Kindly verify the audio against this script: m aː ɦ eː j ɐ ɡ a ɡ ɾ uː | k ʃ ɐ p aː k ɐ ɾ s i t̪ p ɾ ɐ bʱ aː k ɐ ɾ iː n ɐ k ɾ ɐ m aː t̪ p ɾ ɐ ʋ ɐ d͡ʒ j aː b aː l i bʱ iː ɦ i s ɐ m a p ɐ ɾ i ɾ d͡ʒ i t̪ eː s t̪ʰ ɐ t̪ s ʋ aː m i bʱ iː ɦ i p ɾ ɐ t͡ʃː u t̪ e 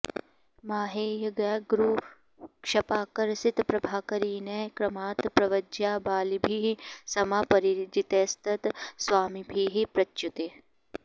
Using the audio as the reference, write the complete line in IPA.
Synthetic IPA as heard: m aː ɦ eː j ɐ ɡ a ɡ ɾ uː | k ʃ ɐ p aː k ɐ ɾ s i t̪ p ɾ ɐ bʱ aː k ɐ ɾ iː n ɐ k ɾ ɐ m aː t̪ p ɾ ɐ ʋ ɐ d͡ʒ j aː b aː l i bʱ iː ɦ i s ɐ m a p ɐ ɾ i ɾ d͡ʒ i t̪ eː s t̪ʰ ɐ t̪ s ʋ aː m i bʱ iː ɦ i p ɾ ɐ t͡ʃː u t̪ e